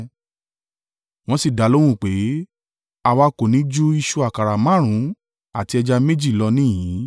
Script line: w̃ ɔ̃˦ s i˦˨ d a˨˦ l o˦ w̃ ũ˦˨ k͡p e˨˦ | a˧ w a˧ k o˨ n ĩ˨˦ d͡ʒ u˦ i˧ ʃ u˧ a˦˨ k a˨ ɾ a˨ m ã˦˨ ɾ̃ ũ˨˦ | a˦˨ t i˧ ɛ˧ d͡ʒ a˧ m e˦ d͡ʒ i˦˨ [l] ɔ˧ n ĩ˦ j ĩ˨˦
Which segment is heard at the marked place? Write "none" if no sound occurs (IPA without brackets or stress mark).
l